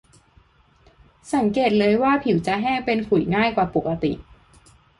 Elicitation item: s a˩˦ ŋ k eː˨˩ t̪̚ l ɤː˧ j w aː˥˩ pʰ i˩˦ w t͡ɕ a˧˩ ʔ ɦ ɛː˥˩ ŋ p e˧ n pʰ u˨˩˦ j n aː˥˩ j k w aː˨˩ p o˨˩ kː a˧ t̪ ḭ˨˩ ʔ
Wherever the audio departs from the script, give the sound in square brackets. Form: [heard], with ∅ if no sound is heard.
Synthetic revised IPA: s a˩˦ ŋ k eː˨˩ t̪̚ l ɤː˧ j w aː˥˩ pʰ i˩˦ w t͡ɕ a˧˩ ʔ ɦ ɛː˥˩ ŋ p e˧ n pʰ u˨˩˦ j [ŋ] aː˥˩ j k w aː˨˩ p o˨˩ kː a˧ t̪ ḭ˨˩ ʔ